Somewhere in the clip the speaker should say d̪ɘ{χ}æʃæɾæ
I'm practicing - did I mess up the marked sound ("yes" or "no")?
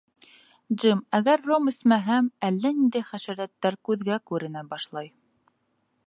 no